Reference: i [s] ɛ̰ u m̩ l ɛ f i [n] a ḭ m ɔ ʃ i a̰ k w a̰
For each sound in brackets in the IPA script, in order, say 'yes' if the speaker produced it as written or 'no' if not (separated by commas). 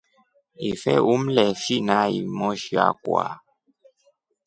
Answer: no, yes